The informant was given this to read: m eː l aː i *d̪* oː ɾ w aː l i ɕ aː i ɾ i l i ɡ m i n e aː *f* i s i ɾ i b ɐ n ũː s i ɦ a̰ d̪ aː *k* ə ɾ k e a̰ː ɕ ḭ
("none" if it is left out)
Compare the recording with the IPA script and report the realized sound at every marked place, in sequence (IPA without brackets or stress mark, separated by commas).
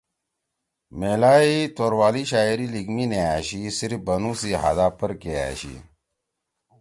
t̪, ɕ, p